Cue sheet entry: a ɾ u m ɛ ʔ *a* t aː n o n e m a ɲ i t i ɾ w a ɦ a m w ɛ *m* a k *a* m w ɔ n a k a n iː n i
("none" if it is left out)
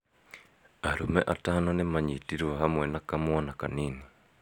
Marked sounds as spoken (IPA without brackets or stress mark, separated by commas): a, n, a